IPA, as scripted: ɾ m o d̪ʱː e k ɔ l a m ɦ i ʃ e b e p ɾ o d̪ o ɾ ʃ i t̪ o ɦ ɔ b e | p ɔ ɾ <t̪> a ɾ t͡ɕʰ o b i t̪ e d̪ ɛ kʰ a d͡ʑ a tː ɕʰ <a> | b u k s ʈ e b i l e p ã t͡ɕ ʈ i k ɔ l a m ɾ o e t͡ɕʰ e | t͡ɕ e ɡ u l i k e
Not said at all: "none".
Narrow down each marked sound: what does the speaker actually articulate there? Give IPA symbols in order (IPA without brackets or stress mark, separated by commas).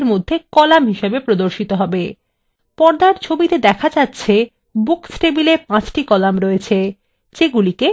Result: d̪, e